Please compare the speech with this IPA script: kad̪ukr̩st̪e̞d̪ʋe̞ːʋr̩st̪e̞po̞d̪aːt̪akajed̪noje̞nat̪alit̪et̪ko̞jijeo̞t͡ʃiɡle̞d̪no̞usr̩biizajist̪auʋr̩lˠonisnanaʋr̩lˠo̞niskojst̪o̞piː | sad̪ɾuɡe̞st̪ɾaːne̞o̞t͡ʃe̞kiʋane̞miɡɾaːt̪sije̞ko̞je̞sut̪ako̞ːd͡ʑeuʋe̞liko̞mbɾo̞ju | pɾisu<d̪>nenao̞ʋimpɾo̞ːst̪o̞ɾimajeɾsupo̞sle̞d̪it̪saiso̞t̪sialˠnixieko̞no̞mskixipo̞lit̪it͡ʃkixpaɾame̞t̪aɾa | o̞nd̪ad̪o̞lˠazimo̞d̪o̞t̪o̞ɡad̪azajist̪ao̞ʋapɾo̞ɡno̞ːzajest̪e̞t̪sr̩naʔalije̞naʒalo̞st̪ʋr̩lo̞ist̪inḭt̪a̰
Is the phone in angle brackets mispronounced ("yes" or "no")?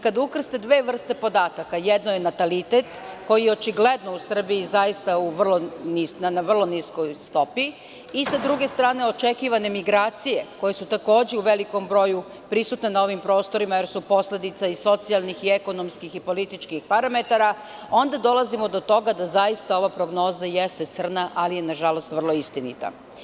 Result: yes